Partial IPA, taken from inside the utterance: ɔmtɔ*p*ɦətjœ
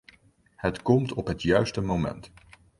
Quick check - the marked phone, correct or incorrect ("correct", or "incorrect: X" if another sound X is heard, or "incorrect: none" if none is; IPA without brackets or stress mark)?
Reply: correct